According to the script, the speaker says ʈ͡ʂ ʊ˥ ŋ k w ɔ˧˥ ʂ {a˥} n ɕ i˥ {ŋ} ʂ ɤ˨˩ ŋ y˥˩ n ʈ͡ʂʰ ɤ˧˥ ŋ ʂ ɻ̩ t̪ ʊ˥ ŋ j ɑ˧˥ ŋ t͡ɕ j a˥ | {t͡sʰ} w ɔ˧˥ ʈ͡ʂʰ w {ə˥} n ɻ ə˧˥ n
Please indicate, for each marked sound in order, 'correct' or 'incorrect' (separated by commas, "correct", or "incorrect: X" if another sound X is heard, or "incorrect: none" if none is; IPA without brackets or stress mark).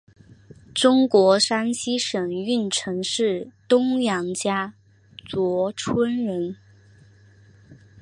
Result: correct, incorrect: none, incorrect: t͡s, correct